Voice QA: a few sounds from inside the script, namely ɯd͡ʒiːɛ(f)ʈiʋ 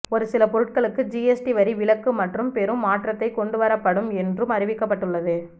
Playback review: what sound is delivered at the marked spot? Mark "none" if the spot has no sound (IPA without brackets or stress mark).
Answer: s